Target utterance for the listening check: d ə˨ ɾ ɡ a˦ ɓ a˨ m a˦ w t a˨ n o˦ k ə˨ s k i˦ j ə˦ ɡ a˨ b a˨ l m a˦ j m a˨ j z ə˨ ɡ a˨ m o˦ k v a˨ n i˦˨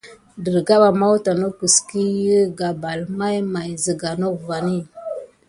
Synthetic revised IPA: d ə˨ ɾ ɡ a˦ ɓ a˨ m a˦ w t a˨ n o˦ k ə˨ s k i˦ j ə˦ ɡ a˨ b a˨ l m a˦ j m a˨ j z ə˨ ɡ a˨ n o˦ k v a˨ n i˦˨